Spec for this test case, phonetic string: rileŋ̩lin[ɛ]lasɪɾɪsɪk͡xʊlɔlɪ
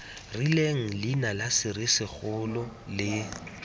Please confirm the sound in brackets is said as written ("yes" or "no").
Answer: no